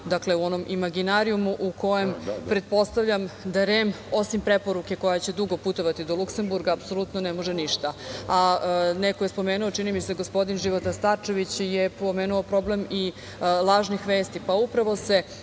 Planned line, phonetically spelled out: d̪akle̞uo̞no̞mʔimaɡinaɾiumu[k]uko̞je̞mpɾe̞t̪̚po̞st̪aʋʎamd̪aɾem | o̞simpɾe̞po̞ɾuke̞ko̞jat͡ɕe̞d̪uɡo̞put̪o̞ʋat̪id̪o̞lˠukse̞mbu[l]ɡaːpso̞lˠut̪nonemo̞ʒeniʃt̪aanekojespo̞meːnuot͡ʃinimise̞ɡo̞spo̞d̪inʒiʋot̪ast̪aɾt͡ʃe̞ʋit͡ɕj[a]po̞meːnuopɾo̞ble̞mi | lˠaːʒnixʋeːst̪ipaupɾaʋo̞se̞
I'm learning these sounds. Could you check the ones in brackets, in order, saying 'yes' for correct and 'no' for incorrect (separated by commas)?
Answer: no, no, no